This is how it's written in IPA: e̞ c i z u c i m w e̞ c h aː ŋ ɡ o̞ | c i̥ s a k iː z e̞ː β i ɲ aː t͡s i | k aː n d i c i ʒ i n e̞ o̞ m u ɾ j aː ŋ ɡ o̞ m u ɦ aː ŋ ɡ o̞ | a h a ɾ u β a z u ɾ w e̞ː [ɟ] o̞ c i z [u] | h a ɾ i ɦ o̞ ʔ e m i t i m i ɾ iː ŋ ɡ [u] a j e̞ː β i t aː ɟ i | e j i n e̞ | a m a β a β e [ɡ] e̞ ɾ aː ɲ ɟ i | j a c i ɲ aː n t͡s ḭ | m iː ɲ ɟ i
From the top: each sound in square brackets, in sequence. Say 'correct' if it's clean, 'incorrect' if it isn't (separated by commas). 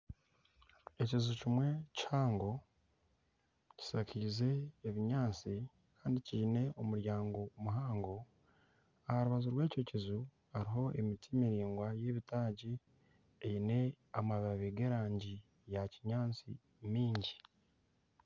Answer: incorrect, correct, incorrect, correct